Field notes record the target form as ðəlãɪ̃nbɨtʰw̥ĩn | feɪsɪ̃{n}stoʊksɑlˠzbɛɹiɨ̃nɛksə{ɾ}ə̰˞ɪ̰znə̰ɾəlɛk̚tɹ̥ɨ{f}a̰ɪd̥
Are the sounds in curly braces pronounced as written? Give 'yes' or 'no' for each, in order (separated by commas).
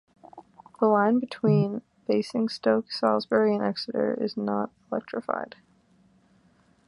no, yes, yes